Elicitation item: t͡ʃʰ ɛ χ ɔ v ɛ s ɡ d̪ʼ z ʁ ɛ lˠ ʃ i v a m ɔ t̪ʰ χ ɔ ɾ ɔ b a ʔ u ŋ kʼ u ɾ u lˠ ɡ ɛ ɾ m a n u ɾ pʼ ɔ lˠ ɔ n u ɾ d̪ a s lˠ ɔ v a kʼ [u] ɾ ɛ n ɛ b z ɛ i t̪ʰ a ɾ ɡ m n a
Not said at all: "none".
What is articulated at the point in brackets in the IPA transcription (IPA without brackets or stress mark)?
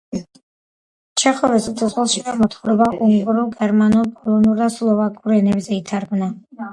u